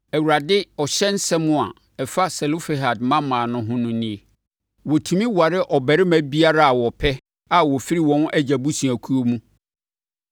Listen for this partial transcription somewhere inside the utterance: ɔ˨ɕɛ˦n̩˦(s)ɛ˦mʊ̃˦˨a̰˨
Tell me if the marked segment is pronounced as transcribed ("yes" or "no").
yes